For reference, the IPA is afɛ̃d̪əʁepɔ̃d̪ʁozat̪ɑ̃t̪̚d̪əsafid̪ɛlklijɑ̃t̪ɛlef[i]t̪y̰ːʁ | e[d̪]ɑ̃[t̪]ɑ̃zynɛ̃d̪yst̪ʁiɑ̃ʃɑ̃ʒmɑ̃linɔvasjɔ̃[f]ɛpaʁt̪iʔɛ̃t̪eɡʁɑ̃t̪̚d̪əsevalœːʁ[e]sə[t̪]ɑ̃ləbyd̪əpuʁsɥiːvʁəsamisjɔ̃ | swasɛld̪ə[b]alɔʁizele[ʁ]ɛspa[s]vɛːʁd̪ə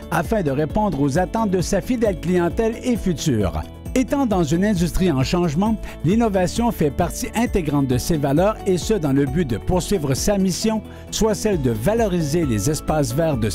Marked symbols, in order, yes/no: no, no, no, yes, yes, no, no, no, yes

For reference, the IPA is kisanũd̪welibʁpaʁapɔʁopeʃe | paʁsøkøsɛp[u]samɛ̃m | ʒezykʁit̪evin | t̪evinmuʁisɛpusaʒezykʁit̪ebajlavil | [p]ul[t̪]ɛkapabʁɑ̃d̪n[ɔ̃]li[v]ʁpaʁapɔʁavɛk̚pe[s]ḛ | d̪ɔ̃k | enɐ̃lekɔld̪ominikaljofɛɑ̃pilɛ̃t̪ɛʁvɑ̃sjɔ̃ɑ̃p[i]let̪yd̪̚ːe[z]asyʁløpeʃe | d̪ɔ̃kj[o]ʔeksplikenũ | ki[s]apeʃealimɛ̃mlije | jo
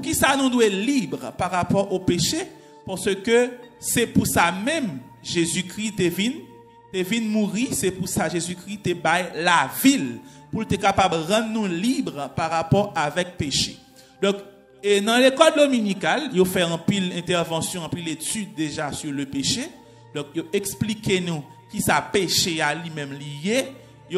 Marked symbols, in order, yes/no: yes, yes, yes, no, no, no, yes, no, yes, yes

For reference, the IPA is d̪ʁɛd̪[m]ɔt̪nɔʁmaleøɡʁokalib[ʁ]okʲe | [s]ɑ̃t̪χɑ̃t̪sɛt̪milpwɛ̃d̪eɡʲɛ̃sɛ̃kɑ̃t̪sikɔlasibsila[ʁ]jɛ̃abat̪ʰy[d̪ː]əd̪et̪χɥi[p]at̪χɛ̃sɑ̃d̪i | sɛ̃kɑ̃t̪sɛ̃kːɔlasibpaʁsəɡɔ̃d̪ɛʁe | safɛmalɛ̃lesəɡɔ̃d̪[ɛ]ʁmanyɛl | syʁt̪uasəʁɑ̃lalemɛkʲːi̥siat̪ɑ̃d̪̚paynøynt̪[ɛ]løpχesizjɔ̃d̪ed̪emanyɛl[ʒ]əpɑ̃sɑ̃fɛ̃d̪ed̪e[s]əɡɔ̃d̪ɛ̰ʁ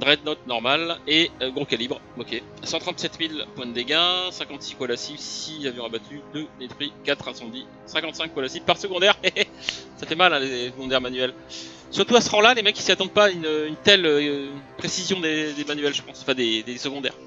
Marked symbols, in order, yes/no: no, yes, yes, no, no, no, yes, yes, yes, yes

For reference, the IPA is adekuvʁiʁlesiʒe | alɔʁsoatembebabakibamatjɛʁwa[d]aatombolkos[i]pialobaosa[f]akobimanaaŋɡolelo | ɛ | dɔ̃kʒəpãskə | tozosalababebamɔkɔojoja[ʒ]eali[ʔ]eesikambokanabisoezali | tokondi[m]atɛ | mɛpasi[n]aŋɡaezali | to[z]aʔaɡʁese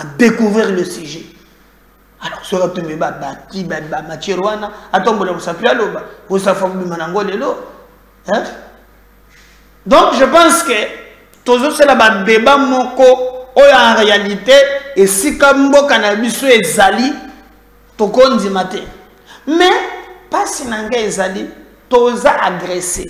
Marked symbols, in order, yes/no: no, no, yes, no, no, yes, yes, yes

